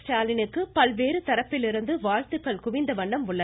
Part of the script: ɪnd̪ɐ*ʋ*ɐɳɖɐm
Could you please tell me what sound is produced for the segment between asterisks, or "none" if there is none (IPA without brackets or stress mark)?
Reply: ʋ